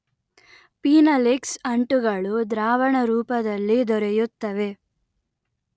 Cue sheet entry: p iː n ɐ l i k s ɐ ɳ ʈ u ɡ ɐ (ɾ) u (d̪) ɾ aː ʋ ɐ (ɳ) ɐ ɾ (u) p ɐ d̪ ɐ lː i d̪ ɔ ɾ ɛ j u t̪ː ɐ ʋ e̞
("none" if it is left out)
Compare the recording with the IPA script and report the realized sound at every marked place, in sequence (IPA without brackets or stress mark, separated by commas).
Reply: ɭ, d̪, ɳ, uː